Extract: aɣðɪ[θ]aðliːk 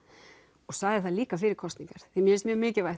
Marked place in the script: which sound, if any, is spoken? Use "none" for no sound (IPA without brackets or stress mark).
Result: θ